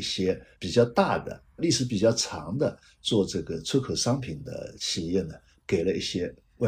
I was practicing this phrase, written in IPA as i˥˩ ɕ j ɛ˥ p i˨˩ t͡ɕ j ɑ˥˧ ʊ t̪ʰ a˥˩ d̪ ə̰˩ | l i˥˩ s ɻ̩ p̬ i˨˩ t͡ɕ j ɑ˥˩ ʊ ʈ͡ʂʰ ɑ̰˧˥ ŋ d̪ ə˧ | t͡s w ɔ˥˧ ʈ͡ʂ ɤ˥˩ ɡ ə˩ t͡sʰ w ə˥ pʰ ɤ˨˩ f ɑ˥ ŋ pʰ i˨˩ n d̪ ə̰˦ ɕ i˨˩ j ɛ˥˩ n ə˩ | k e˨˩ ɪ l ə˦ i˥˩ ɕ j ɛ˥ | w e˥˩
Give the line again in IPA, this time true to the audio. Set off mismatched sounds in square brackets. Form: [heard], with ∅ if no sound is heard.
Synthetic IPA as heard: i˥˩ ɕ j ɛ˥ p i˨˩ t͡ɕ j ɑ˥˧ ʊ [t̪] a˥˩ d̪ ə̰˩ | l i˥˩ [ʂ] ɻ̩ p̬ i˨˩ t͡ɕ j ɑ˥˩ ʊ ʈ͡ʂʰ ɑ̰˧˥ ŋ d̪ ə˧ | t͡s w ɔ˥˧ ʈ͡ʂ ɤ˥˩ ɡ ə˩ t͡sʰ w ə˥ [kʰ] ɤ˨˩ [ʂ] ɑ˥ ŋ pʰ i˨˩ n d̪ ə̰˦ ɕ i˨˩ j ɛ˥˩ n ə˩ | k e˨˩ ɪ l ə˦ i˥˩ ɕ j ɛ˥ | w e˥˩